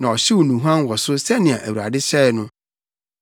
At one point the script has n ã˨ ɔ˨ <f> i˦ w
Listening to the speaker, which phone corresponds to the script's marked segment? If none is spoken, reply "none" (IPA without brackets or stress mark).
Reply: ɕ